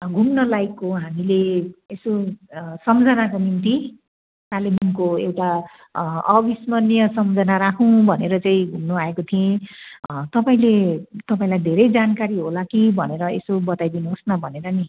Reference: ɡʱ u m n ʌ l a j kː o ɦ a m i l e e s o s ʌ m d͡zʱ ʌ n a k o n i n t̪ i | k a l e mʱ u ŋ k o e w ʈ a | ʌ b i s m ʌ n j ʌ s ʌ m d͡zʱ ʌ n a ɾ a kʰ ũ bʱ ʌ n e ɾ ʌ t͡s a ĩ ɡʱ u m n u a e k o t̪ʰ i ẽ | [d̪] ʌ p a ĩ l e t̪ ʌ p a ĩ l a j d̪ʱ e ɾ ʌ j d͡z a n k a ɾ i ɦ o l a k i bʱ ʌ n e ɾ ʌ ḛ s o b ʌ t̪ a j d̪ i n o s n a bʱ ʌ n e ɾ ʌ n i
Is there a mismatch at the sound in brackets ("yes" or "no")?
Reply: yes